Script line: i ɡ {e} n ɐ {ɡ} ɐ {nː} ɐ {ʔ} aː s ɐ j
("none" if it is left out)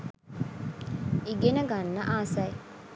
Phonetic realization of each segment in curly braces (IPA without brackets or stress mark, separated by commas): e, ɡ, nː, ʔ